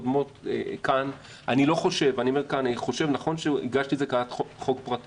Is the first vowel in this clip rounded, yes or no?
yes